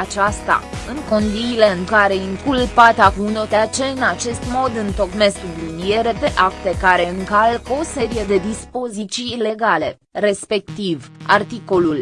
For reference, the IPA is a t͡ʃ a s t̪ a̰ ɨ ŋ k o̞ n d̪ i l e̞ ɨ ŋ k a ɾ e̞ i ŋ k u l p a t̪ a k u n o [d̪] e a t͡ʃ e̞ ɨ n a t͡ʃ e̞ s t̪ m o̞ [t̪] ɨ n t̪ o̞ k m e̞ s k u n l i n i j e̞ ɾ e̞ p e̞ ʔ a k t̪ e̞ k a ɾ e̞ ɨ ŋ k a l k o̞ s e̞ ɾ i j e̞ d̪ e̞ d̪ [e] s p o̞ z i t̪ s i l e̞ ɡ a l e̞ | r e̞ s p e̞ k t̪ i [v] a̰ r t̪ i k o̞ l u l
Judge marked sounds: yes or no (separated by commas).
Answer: no, no, no, yes